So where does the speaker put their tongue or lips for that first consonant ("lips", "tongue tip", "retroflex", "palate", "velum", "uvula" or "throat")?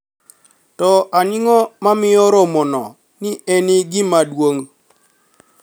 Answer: tongue tip